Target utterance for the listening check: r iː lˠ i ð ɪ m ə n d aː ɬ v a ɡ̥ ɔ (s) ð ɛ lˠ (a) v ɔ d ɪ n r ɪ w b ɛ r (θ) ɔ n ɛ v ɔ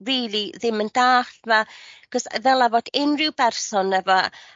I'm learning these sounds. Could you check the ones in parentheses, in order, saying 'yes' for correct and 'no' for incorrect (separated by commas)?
yes, yes, no